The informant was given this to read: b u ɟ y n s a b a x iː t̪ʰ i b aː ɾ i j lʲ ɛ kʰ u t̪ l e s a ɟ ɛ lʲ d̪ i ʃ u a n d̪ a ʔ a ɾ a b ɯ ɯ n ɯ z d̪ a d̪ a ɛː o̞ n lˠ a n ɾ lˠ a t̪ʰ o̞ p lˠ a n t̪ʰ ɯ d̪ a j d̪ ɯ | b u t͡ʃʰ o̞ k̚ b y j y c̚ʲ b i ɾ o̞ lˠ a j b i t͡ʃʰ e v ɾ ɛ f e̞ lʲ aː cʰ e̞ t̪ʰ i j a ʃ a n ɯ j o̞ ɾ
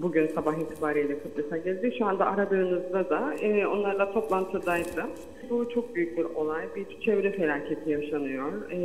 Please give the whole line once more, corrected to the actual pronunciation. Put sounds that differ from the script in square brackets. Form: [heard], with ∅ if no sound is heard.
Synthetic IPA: b u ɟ y n s a b a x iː t̪ʰ i b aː ɾ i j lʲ ɛ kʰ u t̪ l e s a ɟ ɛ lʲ d̪ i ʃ u a n d̪ a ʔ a ɾ a b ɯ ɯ n ɯ z d̪ a d̪ a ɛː o̞ n lˠ a [∅] ɾ lˠ a t̪ʰ o̞ p lˠ a n t̪ʰ ɯ d̪ a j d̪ ɯ | b u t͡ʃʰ o̞ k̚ b y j y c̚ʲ b i ɾ o̞ lˠ a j b i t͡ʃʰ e v ɾ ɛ f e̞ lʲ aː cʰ e̞ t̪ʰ i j a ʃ a n ɯ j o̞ ɾ